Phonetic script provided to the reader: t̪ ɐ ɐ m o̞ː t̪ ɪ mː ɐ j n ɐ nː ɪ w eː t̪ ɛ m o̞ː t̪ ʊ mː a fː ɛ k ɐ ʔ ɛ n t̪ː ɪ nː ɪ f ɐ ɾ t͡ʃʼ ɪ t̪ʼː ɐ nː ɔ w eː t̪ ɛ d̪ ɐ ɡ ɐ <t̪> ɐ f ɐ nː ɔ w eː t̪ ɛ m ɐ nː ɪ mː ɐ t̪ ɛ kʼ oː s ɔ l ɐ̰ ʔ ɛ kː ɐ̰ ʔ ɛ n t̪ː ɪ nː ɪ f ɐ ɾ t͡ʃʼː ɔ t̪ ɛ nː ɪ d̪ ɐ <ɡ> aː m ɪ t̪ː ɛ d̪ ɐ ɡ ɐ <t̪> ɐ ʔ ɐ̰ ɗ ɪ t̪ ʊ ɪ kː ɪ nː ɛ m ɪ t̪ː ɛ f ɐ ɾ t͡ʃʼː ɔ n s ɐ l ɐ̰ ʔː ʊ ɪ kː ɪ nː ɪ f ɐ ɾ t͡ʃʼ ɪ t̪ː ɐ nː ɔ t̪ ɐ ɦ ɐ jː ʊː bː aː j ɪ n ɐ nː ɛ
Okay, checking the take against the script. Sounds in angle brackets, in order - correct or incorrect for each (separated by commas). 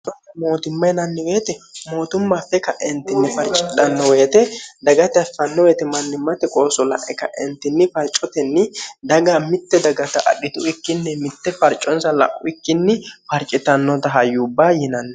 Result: correct, correct, correct